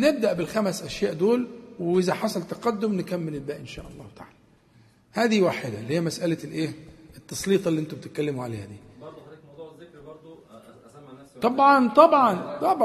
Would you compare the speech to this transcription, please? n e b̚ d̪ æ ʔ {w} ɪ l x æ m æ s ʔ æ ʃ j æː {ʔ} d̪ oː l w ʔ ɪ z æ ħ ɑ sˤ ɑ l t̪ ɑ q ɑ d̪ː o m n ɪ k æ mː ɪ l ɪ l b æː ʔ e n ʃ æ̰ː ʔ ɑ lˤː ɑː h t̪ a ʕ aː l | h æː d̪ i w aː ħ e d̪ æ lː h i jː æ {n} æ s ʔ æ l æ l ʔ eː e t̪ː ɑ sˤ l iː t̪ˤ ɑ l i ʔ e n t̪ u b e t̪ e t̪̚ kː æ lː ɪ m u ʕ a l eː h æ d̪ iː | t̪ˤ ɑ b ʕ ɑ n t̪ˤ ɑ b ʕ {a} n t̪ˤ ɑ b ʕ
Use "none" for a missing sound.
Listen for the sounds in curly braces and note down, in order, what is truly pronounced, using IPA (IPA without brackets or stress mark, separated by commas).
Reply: b, ʔ, m, ɑ